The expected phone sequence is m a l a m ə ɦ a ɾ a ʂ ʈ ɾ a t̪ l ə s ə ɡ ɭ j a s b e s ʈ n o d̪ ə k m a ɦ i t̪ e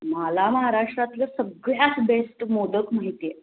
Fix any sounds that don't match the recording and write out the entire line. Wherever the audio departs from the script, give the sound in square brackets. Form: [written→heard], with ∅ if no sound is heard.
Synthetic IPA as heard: m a l a m ə ɦ a ɾ a ʂ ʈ ɾ a t̪ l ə s ə ɡ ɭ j a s b e s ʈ [n→m] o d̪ ə k m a ɦ i t̪ e